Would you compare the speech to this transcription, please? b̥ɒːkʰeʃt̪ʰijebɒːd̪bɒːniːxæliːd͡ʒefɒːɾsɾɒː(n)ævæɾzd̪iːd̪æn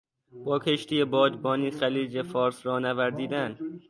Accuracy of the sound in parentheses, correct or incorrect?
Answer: correct